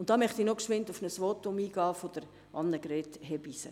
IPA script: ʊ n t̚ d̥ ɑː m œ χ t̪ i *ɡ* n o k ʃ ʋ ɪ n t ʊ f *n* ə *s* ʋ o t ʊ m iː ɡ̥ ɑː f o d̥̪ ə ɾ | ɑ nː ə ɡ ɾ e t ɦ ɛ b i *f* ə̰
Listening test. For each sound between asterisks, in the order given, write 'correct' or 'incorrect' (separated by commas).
incorrect, correct, correct, incorrect